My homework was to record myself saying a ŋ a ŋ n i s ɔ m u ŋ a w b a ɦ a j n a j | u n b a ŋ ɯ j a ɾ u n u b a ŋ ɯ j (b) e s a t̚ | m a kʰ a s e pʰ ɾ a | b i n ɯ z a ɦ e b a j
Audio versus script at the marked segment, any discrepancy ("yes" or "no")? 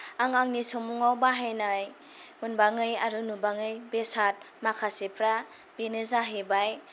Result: no